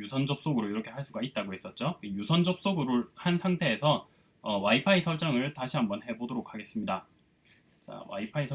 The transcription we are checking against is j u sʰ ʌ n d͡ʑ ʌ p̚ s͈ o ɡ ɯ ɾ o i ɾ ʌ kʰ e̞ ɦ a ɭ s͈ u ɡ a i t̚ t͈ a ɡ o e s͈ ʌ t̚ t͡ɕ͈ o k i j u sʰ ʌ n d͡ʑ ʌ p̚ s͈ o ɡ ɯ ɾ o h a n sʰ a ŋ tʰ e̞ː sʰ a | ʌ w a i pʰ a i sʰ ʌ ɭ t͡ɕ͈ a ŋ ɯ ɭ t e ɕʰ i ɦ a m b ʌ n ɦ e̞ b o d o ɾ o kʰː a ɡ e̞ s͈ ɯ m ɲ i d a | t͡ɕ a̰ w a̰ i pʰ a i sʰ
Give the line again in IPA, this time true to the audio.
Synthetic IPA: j u sʰ ʌ n d͡ʑ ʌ p̚ s͈ o ɡ ɯ ɾ o i ɾ ʌ kʰ e̞ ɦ a ɭ s͈ u ɡ a i t̚ t͈ a ɡ o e s͈ ʌ t̚ t͡ɕ͈ o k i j u sʰ ʌ n d͡ʑ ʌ p̚ s͈ o ɡ ɯ ɾ o h a n sʰ a ŋ tʰ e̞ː sʰ ʌ | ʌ w a i pʰ a i sʰ ʌ ɭ t͡ɕ͈ a ŋ ɯ ɭ t a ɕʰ i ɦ a m b ʌ n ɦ e̞ b o d o ɾ o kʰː a ɡ e̞ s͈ ɯ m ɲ i d a | t͡ɕ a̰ w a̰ i pʰ a i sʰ

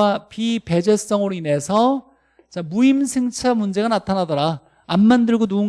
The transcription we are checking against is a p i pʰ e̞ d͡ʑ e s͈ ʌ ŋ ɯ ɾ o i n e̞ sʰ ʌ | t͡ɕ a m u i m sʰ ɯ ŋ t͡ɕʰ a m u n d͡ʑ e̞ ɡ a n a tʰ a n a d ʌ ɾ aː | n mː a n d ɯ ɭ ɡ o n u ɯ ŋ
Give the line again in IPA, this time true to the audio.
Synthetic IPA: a p i p e̞ d͡ʑ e s͈ ʌ ŋ ɯ ɾ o i n e̞ sʰ ʌ | t͡ɕ a m u i m sʰ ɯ ŋ t͡ɕʰ a m u n d͡ʑ e̞ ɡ a n a tʰ a n a d ʌ ɾ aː | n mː a n d ɯ ɭ ɡ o n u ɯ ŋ

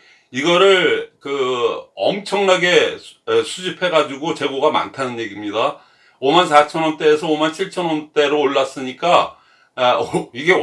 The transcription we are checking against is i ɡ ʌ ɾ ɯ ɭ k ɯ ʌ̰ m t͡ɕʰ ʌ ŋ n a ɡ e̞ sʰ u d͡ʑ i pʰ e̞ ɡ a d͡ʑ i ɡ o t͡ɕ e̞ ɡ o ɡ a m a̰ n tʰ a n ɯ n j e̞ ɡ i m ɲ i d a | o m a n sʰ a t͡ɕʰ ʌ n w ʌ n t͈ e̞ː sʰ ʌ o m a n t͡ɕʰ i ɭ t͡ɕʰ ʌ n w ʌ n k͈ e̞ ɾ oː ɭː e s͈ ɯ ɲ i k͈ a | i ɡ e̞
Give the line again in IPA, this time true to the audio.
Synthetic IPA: i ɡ ʌ ɾ ɯ ɭ k ɯ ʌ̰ m t͡ɕʰ ʌ ŋ n a ɡ e̞ sʰ u d͡ʑ i pʰ e̞ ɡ a d͡ʑ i ɡ o t͡ɕ e̞ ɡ o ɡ a m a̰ n tʰ a n ɯ n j e̞ ɡ i m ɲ i d a | o m a n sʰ a t͡ɕʰ ʌ n w ʌ n t͈ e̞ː sʰ ʌ o m a n t͡ɕʰ i ɭ t͡ɕʰ ʌ n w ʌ n t͈ e̞ ɾ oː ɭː a s͈ ɯ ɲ i k͈ a | i ɡ e̞

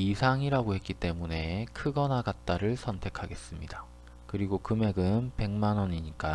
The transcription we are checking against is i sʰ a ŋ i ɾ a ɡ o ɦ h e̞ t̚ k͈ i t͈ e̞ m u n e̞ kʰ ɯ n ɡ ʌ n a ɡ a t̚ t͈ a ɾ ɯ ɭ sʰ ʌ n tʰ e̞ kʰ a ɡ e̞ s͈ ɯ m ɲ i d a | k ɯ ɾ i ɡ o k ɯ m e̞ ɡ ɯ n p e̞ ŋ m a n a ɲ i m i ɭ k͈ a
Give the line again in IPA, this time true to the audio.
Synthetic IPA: i sʰ a ŋ i ɾ a ɡ o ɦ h e̞ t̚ k͈ i t͈ e̞ m u n e̞ kʰ ɯ ɡ ʌ n a ɡ a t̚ t͈ a ɾ ɯ ɭ sʰ ʌ n tʰ e̞ kʰ a ɡ e̞ s͈ ɯ m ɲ i d a | k ɯ ɾ i ɡ o k ɯ m e̞ ɡ ɯ n p e̞ ŋ m a n ʌ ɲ i ɲ i k͈ a

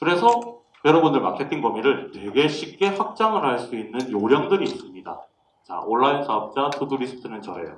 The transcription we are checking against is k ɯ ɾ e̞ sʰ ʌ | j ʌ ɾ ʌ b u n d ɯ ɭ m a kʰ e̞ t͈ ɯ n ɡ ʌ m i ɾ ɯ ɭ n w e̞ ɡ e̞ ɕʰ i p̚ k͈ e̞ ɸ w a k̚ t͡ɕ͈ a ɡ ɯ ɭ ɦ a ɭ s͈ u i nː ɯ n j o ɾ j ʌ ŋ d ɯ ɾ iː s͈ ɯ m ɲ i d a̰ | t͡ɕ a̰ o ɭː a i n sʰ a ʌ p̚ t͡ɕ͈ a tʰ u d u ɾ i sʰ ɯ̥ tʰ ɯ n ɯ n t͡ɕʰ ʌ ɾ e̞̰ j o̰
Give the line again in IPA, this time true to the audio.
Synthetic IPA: k ɯ ɾ e̞ sʰ ʌ | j ʌ ɾ ʌ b u n d ɯ ɭ m a kʰ e̞ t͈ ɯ n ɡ ʌ m i ɾ ɯ ɭ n w e̞ ɡ e̞ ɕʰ i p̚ k͈ e̞ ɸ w a k̚ t͡ɕ͈ a ŋ ɯ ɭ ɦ a ɭ s͈ u i nː ɯ n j o ɾ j ʌ ŋ d ɯ ɾ iː s͈ ɯ m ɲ i d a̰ | t͡ɕ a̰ o ɭː a i n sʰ a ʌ p̚ t͡ɕ͈ a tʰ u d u ɾ i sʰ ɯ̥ tʰ ɯ n ɯ n t͡ɕ ʌ ɾ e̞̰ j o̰

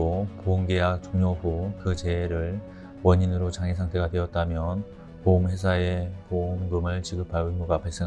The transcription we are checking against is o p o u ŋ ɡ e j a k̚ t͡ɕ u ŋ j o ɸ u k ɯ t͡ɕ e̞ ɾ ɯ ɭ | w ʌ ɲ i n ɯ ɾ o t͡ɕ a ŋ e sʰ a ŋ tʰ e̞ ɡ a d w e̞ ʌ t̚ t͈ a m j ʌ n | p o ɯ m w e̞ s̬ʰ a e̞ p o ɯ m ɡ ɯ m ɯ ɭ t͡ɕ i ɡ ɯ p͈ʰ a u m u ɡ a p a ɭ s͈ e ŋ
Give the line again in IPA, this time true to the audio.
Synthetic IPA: o p o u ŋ ɡ e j a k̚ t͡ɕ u ŋ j o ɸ u k ɯ t͡ɕ e̞ ɾ ɯ ɭ | w ʌ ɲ i n ɯ ɾ o t͡ɕ a ŋ e sʰ a ŋ tʰ e̞ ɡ a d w e̞ ʌ t̚ t͈ a m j ʌ n | p o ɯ m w e̞ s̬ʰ a e̞ p o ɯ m ɡ ɯ m ɯ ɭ t͡ɕ i ɡ ɯ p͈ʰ a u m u ɡ a p a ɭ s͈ e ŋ

